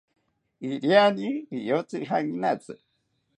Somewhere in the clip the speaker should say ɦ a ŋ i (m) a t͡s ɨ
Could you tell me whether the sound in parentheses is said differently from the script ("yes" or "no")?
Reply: yes